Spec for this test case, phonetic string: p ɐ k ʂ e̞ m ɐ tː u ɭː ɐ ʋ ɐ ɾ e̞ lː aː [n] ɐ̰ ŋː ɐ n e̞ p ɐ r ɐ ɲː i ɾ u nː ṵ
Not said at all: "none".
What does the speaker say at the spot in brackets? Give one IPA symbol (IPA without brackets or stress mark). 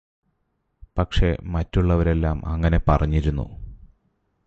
m